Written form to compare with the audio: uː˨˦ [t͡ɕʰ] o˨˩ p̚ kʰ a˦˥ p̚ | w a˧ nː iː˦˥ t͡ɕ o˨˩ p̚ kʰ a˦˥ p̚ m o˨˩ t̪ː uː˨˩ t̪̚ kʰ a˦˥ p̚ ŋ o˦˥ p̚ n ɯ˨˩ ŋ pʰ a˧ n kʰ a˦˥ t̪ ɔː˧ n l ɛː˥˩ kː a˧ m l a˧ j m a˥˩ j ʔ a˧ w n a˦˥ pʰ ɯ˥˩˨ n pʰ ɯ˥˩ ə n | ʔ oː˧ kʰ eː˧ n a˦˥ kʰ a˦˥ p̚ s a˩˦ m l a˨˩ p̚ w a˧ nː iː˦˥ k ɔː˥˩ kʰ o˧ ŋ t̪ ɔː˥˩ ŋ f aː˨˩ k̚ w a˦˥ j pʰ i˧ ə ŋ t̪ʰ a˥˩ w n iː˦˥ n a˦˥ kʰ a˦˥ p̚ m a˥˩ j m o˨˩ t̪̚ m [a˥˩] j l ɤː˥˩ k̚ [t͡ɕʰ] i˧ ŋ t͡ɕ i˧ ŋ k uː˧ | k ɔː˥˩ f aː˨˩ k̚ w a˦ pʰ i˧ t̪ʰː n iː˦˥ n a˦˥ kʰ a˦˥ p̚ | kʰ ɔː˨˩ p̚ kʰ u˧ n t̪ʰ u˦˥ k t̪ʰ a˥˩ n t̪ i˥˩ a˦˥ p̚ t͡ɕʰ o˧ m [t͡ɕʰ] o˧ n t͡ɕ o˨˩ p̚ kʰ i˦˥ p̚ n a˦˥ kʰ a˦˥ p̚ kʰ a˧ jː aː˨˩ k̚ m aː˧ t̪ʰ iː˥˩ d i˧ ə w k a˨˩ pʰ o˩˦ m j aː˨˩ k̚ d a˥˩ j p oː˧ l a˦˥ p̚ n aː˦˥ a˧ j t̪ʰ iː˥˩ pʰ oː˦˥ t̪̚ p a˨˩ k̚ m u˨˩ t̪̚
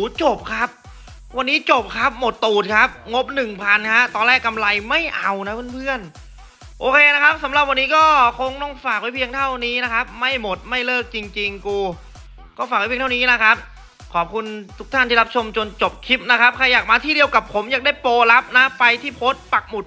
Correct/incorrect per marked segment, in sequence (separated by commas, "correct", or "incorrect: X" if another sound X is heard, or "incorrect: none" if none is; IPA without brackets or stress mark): incorrect: t͡ɕ, correct, incorrect: t͡ɕ, incorrect: t͡ɕ